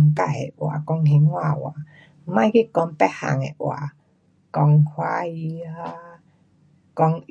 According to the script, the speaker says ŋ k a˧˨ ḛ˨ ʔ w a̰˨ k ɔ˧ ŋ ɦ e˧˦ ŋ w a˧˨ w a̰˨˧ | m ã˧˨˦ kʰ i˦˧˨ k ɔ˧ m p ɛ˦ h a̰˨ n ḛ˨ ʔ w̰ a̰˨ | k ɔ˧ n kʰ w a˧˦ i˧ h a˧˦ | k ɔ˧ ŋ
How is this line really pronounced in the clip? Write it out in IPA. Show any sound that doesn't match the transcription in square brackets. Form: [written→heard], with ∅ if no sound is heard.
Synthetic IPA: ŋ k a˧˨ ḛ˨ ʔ w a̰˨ k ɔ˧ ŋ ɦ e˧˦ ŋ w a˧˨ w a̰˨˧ | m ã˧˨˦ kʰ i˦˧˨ k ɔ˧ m p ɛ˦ h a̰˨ [n→ŋ] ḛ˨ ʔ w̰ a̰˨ | k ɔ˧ [n→ŋ] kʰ w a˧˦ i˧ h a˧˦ | k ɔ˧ ŋ